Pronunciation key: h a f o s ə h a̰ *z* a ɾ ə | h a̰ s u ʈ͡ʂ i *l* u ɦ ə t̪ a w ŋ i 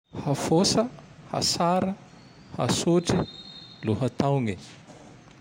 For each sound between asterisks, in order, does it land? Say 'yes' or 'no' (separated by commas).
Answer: no, yes